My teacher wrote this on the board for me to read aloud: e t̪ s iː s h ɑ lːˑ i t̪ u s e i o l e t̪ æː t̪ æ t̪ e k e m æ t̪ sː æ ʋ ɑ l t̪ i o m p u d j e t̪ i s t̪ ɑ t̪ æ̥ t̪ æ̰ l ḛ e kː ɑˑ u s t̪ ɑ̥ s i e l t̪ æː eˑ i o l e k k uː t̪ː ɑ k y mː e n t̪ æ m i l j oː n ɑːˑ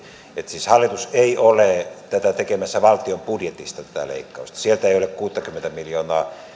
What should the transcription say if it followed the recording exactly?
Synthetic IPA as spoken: e t̪ s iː s h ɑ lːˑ i t̪ u s e i o l e t̪ æ t̪ æ t̪ e k e m æ sː æ ʋ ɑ l t̪ i o m p u d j e t̪ i s t̪ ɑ t̪ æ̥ t̪ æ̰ l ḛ i kː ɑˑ u s t̪ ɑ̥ s i e l t̪ æ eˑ i o l e k k uː t̪ː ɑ k y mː e n t̪ æ m i l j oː n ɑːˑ